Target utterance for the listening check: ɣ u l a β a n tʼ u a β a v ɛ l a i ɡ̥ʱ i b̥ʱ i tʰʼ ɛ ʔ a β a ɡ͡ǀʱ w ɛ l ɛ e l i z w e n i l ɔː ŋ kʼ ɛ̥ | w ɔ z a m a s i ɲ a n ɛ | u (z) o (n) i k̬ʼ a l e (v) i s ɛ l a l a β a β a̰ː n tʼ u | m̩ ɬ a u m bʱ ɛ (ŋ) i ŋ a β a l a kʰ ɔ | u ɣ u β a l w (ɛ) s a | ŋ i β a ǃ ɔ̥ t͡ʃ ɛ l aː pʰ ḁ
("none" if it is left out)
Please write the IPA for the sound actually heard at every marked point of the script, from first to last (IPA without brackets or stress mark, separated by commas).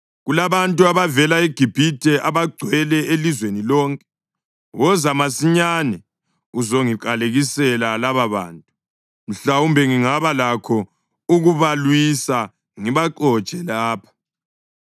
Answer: z, ŋ, ɣ, ŋ, i